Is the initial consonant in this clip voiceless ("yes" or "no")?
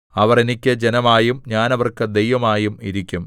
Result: no